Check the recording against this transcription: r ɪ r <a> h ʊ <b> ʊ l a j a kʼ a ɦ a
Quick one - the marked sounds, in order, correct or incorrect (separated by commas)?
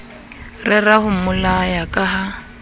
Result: correct, incorrect